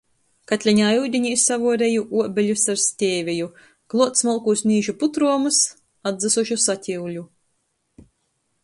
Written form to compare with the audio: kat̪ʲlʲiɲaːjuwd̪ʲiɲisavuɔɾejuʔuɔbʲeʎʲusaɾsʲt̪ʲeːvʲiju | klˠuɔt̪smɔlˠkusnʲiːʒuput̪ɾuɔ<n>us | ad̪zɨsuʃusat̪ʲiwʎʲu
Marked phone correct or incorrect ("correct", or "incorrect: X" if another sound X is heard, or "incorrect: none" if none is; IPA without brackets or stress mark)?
incorrect: m